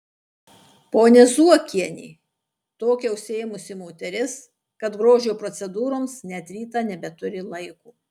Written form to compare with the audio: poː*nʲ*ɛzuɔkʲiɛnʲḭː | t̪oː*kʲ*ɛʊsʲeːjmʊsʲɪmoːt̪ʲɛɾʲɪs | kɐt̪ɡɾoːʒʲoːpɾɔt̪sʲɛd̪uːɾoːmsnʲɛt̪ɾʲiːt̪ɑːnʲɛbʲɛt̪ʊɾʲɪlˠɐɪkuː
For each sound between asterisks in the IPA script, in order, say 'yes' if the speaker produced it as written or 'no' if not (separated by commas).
yes, yes